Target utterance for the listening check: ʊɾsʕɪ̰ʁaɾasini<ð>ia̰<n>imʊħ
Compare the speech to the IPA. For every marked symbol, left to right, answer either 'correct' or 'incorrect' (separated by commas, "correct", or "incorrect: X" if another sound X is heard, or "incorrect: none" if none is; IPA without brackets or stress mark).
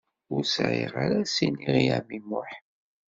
incorrect: ʁ, incorrect: m